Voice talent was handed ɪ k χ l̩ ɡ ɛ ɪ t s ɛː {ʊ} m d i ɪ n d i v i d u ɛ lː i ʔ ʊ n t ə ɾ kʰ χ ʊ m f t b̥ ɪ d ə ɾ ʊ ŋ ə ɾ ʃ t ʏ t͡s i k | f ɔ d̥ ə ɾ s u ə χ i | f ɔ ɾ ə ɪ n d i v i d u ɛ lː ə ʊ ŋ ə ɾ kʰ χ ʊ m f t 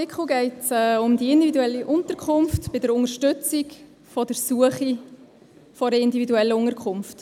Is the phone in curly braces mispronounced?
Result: no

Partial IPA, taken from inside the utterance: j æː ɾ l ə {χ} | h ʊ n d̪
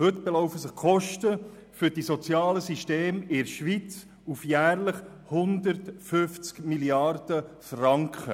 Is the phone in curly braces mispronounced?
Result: no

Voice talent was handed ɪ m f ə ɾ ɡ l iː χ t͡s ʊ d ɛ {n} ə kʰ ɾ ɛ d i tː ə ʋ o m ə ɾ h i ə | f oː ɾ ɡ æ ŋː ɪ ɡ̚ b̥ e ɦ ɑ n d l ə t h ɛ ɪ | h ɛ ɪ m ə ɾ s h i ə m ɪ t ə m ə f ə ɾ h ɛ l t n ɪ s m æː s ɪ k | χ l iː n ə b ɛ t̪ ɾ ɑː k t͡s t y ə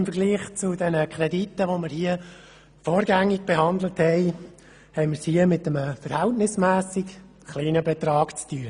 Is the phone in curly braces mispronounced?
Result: no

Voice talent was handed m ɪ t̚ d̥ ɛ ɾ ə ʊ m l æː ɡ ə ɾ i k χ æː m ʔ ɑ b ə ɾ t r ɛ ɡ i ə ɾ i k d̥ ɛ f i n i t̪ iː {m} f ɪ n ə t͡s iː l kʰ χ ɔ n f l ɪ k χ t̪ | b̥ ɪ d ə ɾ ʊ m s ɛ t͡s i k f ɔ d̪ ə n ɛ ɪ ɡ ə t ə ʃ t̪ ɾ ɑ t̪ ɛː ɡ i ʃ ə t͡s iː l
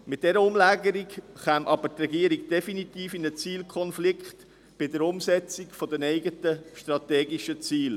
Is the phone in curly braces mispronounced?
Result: yes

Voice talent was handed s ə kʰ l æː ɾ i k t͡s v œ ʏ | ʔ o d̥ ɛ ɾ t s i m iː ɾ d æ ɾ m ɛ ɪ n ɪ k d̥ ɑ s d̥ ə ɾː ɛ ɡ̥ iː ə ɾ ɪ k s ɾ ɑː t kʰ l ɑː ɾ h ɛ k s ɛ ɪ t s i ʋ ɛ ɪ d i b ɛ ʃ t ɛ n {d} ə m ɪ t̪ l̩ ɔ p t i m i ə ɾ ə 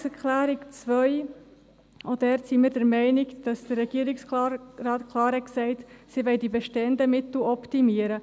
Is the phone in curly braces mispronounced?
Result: no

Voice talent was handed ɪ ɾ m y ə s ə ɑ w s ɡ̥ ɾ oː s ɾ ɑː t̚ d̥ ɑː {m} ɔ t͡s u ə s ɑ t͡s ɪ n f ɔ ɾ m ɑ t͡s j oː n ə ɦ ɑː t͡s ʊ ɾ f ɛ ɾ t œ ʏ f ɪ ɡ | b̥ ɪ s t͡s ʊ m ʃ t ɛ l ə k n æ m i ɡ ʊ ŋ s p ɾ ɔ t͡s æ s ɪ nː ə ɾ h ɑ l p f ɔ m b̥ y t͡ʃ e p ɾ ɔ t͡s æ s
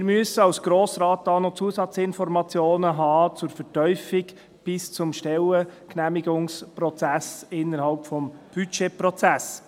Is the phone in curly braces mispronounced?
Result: yes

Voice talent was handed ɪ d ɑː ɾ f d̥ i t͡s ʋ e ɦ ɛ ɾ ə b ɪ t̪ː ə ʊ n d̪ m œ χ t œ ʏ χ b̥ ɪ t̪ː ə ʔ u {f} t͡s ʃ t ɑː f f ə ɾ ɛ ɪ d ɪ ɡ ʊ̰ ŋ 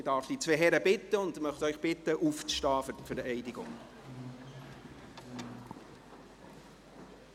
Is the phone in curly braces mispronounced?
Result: no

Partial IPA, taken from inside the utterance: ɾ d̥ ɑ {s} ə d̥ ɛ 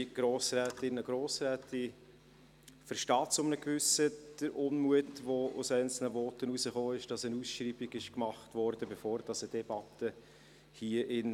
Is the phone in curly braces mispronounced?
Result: no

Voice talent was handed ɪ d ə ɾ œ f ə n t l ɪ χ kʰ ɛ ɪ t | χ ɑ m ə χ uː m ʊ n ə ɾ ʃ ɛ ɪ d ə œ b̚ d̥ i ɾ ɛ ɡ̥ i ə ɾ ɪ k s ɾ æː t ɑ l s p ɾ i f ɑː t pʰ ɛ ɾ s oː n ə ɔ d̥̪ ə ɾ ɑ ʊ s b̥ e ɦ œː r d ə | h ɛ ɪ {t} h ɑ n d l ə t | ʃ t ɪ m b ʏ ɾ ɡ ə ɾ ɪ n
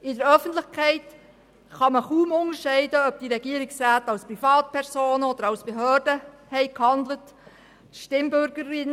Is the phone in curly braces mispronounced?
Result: yes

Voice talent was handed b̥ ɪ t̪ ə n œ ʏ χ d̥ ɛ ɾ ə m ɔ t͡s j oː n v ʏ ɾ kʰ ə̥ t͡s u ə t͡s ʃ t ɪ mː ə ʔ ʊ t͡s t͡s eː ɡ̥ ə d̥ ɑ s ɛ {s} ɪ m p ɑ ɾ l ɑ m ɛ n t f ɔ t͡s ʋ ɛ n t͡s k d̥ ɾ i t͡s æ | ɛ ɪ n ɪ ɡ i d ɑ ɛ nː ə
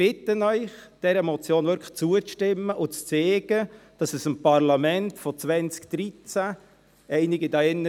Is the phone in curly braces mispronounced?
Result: no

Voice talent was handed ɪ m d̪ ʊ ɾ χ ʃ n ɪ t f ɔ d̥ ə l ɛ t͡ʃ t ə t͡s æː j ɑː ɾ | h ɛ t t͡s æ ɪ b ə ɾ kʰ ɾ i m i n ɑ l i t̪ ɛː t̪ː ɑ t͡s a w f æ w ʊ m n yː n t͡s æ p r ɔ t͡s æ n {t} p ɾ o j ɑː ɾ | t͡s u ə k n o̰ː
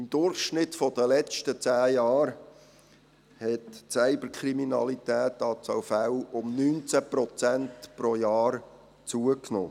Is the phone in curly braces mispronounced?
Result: no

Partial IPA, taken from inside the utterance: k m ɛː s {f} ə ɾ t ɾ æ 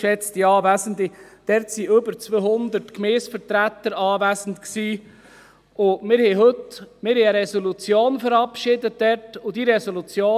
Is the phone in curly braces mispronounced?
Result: no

